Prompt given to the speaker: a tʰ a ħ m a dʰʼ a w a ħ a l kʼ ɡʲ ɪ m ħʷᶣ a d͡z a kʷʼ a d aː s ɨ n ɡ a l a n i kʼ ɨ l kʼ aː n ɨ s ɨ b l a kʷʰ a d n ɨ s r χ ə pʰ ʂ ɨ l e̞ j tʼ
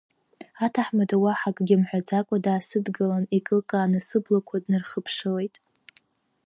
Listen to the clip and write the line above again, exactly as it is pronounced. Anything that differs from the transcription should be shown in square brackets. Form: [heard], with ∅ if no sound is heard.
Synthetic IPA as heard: a tʰ a ħ m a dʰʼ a w a ħ a [∅] kʼ ɡʲ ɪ m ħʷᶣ a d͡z a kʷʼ a d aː s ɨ [d] ɡ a l a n i kʼ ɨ l kʼ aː n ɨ s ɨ b l a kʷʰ a d n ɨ [∅] r χ ə pʰ ʂ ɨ l e̞ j tʼ